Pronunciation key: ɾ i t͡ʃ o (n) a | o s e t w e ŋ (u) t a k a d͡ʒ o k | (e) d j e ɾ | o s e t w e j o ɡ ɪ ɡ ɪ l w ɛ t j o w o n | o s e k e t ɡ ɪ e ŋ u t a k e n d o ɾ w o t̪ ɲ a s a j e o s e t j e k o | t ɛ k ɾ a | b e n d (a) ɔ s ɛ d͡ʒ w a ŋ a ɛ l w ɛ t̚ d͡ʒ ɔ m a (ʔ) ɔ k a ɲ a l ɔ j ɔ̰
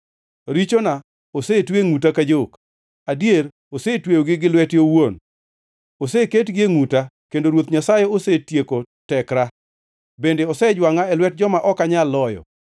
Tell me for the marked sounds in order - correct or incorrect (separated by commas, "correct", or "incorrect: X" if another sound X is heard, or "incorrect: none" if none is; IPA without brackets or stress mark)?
correct, correct, incorrect: a, incorrect: e, correct